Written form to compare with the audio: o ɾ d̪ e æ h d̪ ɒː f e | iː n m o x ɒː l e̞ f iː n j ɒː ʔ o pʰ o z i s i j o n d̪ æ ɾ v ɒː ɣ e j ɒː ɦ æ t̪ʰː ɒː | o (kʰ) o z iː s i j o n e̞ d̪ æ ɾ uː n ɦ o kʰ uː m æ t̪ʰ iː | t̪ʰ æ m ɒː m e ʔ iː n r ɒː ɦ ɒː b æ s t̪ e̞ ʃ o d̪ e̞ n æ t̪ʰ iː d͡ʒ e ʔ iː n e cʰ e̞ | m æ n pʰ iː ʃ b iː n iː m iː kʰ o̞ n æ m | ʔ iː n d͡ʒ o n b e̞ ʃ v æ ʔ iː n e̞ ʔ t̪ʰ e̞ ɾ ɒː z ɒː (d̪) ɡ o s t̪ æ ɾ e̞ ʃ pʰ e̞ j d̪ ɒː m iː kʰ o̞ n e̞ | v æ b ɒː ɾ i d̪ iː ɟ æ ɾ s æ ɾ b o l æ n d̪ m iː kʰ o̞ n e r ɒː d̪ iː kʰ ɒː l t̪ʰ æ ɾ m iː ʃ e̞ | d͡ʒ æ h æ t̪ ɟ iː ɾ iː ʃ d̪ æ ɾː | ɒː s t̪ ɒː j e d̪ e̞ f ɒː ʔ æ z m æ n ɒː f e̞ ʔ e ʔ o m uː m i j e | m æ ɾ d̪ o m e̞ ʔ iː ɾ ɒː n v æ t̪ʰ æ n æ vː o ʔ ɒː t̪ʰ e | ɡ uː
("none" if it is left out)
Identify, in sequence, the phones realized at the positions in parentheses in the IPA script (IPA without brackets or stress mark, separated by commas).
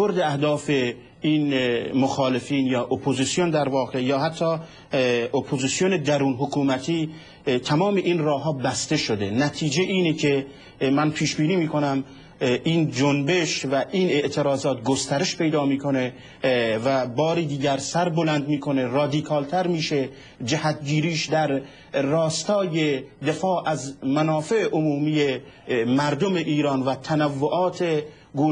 pʰ, t̪